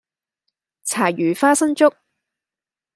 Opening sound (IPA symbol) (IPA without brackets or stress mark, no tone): t͡sʰ